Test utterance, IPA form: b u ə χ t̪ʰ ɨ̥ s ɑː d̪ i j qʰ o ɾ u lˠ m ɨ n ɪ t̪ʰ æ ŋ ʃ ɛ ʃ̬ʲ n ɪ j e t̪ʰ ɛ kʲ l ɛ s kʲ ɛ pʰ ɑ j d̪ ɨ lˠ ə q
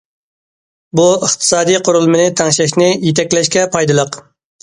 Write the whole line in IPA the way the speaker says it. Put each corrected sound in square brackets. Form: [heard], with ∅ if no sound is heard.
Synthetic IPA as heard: b u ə χ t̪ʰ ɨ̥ s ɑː d̪ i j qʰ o ɾ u lˠ m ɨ n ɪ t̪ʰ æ ŋ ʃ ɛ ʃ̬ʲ n ɪ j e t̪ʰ ɛ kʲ l ɛ [ʃ] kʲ ɛ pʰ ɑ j d̪ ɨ lˠ ə q